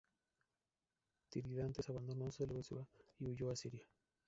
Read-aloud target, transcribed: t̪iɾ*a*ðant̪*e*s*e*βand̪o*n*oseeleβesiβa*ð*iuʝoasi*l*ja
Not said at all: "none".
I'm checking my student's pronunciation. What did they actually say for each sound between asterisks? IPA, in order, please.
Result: i, e, a, n, none, ɾ

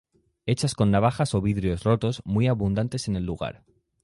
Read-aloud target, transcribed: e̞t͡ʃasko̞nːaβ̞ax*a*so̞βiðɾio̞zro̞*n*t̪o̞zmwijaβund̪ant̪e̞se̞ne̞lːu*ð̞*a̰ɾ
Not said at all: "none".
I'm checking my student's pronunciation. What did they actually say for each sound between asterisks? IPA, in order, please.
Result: a, none, ɣ̞

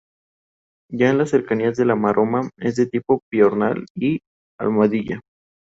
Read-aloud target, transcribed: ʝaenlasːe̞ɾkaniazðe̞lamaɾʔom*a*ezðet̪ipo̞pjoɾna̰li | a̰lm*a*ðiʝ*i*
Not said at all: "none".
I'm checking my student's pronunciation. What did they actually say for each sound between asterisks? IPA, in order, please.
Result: a, a, a

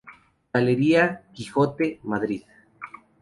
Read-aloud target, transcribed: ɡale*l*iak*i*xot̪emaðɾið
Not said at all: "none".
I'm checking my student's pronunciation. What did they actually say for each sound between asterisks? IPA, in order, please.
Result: ɾ, i

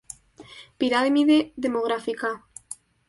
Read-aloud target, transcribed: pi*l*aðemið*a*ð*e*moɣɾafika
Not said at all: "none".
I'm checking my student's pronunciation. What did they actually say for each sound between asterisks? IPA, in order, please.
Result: ɾ, e, e

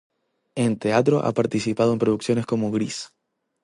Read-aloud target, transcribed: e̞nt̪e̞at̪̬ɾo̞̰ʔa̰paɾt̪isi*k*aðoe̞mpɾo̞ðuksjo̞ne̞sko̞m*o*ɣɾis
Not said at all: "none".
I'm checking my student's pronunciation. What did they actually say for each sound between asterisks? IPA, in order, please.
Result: p, o

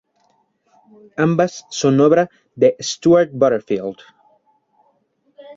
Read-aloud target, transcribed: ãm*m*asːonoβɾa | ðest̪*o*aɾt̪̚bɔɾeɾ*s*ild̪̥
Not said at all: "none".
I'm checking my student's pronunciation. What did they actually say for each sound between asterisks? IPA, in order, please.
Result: b, u, f

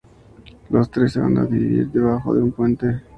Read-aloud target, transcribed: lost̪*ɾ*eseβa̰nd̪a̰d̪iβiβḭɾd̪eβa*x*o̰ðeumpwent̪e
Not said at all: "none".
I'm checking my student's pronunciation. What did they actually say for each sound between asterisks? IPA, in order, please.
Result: ɾ, x

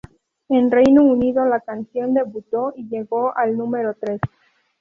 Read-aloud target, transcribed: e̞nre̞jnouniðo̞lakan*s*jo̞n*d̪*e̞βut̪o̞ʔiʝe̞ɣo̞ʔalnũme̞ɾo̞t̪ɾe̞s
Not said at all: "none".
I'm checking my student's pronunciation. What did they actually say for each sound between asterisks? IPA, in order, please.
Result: s, d̪

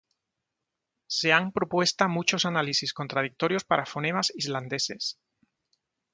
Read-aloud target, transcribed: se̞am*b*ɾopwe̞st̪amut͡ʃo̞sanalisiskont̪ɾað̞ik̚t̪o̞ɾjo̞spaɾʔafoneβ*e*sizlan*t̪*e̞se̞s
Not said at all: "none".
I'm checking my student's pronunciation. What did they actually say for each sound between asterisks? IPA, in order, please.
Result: p, a, d̪

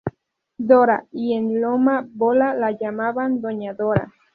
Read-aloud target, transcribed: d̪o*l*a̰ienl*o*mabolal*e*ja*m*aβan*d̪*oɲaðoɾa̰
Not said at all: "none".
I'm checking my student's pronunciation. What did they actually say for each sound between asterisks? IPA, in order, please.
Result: ɾ, o, a, m, d̪

